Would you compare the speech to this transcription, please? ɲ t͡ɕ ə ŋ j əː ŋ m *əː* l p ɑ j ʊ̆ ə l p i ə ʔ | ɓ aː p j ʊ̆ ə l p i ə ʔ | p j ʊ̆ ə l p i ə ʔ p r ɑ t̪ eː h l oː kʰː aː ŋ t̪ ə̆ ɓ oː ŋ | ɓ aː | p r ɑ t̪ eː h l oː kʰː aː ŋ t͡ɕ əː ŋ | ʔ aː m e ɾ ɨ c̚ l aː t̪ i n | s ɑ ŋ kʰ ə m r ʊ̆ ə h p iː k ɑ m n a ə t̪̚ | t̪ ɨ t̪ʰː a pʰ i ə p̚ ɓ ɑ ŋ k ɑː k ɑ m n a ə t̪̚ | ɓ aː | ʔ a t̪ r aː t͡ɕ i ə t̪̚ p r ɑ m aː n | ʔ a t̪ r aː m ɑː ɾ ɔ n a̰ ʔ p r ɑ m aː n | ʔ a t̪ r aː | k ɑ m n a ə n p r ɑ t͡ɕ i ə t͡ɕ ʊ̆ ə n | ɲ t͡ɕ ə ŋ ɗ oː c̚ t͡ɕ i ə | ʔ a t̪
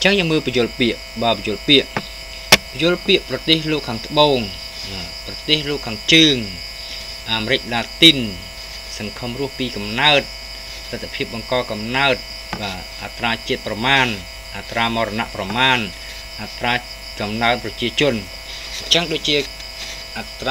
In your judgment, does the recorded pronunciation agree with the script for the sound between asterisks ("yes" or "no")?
yes